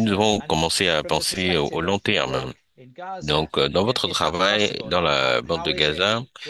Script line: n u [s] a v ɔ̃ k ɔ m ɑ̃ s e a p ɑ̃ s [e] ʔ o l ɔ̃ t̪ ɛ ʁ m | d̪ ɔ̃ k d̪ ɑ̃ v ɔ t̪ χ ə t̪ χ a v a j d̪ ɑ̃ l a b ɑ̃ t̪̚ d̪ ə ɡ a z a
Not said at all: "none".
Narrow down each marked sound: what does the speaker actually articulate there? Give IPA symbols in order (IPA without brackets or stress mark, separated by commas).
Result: z, e